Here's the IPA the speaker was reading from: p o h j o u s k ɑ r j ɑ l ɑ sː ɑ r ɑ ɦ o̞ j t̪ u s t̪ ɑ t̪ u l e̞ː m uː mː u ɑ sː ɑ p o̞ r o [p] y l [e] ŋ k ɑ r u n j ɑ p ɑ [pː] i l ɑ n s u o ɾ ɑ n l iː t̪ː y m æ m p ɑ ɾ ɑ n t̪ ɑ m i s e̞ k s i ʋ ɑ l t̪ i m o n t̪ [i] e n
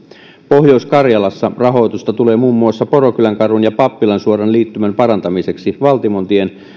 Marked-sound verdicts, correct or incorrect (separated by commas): incorrect, incorrect, correct, correct